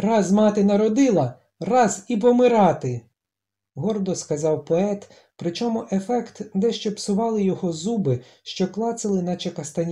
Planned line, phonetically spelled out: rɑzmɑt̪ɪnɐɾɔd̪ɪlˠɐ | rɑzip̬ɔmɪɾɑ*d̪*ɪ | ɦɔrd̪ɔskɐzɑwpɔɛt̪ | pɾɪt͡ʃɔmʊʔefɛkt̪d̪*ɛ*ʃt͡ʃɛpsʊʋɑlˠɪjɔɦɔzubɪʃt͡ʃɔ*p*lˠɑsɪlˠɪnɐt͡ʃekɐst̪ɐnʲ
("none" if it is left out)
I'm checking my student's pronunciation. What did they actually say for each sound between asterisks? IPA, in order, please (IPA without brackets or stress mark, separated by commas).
t̪, ɛ, k